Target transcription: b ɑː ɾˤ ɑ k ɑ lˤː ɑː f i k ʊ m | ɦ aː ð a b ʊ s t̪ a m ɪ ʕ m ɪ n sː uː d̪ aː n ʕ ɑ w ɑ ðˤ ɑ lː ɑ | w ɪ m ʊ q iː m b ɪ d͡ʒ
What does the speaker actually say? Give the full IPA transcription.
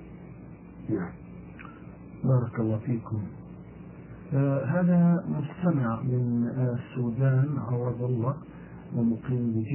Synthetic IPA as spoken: b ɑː ɾˤ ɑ k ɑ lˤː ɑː f iː k ʊ m | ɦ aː ð a m ʊ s t̪ a m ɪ ʕ m ɪ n sː uː d̪ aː n ʕ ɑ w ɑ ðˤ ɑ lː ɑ | w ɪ m ʊ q iː m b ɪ d͡ʒ